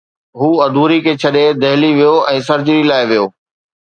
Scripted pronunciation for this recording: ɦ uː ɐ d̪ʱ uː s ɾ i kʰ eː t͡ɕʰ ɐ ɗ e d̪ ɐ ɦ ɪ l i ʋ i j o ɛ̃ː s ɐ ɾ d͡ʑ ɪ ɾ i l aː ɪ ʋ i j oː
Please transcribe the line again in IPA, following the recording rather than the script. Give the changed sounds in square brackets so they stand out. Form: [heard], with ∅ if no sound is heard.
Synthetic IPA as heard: ɦ uː ɐ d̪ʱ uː [∅] ɾ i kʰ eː t͡ɕʰ ɐ ɗ e d̪ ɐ ɦ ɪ l i ʋ i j o ɛ̃ː s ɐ ɾ d͡ʑ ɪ ɾ i l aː ɪ ʋ i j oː